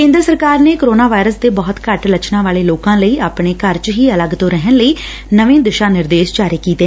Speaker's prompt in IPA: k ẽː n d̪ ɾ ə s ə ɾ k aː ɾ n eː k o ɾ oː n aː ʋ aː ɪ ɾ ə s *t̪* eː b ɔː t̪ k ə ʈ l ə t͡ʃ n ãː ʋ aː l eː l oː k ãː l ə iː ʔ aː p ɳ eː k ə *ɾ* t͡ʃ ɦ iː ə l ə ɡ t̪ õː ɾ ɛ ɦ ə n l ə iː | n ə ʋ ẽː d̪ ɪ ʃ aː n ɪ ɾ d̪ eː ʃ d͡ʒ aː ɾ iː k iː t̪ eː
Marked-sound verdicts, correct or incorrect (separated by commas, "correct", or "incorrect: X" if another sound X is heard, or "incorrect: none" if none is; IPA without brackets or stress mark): incorrect: d̪, correct